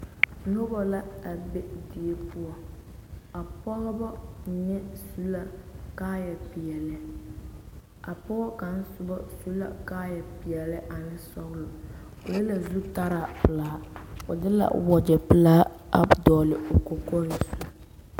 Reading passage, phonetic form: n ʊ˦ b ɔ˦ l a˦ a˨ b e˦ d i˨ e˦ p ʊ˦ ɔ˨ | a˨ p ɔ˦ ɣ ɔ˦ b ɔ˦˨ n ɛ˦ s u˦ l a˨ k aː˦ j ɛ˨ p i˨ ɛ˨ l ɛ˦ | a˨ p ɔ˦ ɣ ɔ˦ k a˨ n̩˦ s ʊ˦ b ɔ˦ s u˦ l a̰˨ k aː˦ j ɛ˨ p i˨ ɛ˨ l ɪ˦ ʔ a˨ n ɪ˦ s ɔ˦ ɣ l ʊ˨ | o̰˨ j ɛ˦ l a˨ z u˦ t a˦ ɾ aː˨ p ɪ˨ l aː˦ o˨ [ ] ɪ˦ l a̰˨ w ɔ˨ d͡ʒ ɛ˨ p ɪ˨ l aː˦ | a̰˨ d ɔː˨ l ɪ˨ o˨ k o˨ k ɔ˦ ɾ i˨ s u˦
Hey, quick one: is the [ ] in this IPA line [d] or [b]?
d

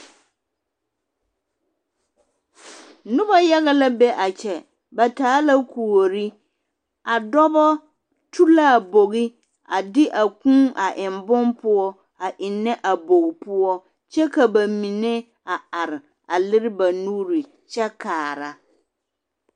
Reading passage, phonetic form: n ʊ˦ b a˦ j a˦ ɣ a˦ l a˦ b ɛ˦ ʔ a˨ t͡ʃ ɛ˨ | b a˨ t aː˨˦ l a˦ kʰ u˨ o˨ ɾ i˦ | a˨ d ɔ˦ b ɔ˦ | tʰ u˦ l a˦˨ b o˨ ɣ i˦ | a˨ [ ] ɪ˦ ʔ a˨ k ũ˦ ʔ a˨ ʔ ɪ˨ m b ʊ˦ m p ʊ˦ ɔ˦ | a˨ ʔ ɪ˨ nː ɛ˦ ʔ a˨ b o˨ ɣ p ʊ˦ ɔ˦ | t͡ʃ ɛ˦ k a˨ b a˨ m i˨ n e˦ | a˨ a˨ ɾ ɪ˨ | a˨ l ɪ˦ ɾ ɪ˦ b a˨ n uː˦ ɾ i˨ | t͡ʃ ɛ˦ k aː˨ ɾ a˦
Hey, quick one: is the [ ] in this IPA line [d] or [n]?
d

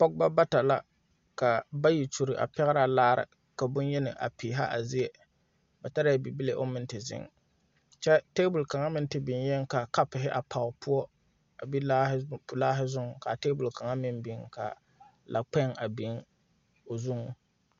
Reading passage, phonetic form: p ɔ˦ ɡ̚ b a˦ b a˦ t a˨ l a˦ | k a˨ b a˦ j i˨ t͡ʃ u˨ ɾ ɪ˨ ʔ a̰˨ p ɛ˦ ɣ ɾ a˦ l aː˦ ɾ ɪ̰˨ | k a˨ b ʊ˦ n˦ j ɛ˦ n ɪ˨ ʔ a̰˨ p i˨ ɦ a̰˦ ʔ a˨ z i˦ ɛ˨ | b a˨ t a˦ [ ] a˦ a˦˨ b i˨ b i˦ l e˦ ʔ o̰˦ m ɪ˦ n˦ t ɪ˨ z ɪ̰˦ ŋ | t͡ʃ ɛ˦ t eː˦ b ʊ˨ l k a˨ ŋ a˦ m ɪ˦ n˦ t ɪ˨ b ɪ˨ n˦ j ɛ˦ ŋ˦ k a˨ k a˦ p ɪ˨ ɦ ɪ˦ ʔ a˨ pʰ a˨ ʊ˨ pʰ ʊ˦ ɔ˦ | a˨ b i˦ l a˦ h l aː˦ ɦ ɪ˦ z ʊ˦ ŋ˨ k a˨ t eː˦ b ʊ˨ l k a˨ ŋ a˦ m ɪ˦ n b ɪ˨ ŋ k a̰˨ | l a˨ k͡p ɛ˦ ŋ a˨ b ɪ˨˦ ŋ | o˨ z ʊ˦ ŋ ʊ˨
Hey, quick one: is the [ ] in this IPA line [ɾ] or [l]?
ɾ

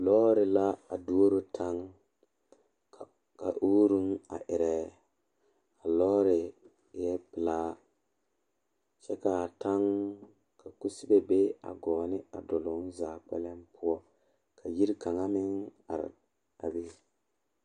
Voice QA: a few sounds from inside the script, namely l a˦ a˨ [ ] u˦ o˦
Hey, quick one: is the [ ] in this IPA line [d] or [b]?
d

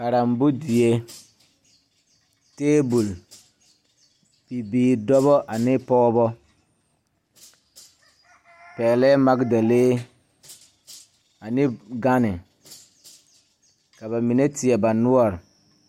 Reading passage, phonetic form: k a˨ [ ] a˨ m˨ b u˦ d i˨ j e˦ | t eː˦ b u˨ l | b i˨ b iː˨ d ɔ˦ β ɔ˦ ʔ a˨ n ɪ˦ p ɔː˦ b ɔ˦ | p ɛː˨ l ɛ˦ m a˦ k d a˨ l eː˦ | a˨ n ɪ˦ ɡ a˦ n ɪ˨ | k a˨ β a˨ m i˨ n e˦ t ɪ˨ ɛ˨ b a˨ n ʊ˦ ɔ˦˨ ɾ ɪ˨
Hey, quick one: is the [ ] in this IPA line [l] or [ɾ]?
ɾ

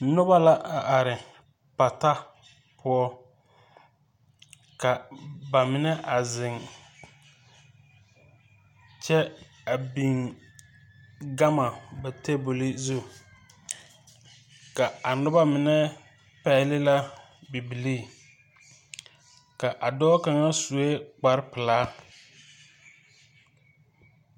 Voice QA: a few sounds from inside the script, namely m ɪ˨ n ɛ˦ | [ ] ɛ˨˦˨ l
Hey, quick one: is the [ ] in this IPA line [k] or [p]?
p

